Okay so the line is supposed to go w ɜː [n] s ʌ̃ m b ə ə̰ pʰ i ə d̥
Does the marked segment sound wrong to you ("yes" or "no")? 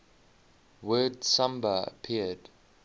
yes